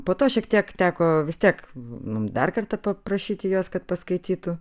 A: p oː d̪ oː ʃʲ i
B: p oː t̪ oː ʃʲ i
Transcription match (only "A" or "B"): B